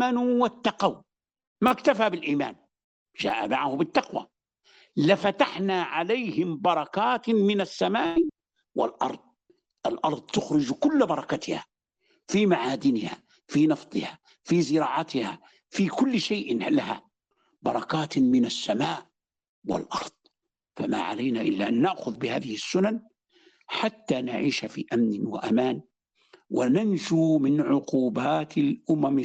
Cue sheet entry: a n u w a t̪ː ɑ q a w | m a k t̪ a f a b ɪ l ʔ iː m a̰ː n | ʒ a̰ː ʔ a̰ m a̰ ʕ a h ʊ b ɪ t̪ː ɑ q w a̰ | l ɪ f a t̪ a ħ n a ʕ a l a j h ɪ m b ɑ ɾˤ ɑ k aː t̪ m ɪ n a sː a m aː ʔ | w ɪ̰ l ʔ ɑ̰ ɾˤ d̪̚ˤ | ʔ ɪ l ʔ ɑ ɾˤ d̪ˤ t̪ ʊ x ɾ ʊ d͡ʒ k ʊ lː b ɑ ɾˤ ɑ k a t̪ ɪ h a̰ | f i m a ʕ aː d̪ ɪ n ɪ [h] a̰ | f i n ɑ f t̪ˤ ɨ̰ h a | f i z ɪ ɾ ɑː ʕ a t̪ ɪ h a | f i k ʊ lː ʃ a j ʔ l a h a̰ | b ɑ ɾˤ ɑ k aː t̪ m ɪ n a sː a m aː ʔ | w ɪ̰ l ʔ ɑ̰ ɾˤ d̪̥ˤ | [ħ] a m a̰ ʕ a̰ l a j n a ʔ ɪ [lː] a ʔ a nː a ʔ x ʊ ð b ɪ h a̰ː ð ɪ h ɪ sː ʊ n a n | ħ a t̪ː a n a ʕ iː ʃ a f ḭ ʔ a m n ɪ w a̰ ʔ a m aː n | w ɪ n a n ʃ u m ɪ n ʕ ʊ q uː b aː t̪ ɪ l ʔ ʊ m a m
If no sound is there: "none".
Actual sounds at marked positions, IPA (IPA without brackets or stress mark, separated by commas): h, f, lː